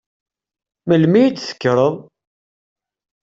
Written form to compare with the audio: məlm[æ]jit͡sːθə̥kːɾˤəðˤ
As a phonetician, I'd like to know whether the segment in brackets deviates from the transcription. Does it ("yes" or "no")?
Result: yes